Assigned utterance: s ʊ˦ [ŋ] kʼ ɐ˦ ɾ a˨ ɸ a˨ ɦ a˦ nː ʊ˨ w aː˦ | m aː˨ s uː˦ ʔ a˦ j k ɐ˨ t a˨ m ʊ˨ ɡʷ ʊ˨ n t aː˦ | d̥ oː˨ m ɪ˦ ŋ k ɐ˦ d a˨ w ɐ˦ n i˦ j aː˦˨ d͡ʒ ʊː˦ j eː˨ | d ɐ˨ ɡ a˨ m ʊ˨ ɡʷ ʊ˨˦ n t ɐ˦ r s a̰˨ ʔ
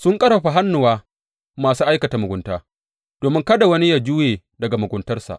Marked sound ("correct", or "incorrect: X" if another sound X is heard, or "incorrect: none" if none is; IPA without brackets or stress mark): correct